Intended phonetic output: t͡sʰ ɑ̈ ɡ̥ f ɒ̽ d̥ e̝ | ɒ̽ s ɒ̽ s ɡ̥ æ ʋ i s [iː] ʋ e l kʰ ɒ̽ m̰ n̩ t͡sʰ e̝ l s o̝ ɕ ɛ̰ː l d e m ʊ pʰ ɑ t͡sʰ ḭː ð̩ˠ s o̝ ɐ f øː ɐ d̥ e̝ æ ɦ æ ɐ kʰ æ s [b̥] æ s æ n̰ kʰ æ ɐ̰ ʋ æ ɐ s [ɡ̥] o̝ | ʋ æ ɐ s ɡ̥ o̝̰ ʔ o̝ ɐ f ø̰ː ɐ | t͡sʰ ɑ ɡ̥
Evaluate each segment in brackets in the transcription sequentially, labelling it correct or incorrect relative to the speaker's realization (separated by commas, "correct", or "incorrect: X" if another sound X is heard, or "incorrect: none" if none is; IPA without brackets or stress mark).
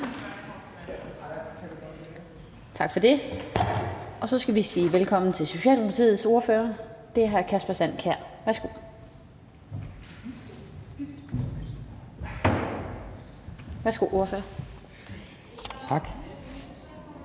correct, correct, correct